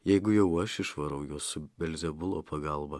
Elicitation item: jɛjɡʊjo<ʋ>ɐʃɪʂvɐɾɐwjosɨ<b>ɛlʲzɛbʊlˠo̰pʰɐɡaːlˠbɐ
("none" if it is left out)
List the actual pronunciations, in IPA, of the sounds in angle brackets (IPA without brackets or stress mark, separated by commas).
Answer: w, b